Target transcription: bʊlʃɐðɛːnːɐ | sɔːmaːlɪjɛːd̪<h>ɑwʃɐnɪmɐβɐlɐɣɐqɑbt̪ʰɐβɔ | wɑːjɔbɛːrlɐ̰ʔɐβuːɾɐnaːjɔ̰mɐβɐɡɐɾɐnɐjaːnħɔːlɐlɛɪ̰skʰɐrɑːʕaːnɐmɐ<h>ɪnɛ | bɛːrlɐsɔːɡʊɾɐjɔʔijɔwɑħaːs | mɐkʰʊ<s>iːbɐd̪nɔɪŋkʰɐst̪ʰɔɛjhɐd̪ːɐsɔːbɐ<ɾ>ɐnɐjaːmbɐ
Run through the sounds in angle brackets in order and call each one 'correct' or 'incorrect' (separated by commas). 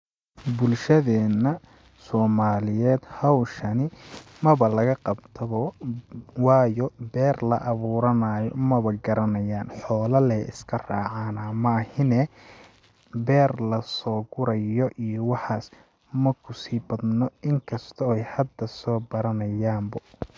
correct, correct, correct, correct